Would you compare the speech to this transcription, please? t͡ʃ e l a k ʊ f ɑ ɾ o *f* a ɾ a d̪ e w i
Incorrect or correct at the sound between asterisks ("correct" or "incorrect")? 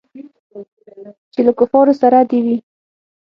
incorrect